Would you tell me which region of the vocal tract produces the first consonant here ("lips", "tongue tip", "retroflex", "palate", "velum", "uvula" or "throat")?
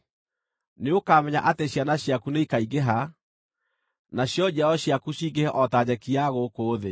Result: tongue tip